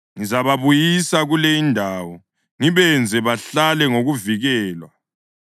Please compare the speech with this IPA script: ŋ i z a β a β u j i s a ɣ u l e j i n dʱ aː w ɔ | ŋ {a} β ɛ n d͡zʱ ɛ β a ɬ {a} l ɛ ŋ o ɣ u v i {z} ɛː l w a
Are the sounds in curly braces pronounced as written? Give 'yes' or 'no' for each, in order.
no, yes, no

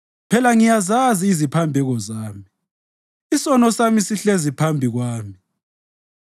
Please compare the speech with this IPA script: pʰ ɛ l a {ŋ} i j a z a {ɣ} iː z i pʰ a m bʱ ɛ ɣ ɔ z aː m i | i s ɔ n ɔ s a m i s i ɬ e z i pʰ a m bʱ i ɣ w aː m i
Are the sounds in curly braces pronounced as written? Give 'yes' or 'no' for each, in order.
yes, no

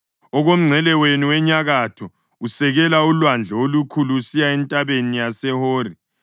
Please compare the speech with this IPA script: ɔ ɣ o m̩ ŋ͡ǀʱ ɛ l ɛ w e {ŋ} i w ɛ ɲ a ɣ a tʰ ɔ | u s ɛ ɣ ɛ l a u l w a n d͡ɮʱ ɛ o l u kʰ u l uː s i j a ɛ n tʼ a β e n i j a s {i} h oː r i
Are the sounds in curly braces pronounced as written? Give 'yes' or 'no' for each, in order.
no, no

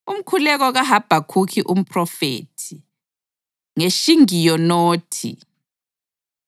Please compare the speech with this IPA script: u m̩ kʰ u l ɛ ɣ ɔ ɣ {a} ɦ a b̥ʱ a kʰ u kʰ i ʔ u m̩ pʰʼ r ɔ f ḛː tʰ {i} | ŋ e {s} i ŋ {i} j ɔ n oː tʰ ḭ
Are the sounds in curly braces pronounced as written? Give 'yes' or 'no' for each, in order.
yes, yes, no, yes

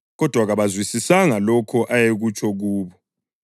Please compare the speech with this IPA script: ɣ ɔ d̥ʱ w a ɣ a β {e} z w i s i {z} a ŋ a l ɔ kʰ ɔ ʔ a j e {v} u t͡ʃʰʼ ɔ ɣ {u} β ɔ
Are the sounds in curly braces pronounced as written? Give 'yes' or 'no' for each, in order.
no, no, no, no

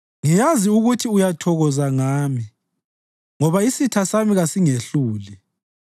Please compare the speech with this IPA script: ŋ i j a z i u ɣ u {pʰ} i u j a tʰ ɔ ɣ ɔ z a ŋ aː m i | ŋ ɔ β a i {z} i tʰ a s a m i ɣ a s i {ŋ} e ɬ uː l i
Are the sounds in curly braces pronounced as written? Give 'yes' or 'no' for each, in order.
no, no, yes

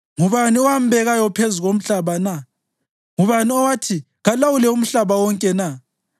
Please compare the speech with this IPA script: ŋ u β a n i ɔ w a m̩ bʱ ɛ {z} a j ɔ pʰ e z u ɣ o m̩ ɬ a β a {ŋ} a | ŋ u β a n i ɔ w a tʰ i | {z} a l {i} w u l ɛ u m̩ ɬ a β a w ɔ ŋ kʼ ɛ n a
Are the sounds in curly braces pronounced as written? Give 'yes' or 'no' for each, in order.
no, no, no, no

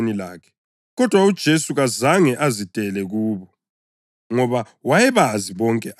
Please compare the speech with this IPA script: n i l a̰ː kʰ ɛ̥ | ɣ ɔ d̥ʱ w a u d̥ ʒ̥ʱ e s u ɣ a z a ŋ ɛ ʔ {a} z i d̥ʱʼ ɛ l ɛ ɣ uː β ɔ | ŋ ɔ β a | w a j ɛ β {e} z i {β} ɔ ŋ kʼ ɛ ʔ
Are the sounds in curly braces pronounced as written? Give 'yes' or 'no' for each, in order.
yes, no, yes

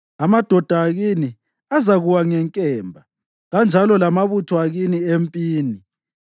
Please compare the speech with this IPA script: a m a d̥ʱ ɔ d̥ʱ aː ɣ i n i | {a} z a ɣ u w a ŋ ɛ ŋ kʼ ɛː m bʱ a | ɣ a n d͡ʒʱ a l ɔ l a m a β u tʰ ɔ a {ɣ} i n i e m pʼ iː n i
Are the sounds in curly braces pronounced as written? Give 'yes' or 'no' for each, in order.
yes, yes

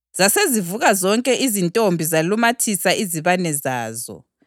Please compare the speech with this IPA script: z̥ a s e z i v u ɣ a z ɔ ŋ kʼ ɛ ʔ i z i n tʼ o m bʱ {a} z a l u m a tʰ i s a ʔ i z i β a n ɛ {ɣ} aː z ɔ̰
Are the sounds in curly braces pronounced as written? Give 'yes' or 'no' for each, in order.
no, no

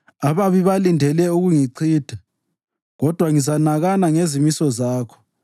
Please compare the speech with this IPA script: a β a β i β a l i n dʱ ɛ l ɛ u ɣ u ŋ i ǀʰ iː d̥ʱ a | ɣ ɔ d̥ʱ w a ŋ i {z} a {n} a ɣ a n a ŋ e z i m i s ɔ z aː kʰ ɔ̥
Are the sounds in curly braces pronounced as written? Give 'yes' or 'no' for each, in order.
yes, yes

